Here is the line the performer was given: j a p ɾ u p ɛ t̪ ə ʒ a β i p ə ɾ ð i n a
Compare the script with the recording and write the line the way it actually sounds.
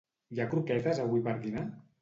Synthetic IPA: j a k ɾ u k ɛ t̪ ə z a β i p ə ɾ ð i n a